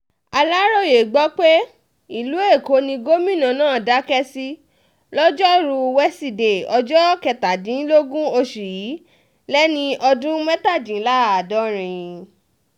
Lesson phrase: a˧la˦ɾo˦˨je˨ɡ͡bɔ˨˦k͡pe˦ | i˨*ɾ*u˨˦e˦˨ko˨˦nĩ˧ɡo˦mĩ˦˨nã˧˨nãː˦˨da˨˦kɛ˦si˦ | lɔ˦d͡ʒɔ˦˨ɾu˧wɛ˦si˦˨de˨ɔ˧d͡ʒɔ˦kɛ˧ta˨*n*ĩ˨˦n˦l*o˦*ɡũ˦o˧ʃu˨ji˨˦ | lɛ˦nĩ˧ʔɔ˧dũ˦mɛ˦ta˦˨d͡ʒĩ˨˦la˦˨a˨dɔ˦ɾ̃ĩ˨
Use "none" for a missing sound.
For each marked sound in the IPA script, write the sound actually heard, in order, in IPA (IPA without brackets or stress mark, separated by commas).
l, d, o˦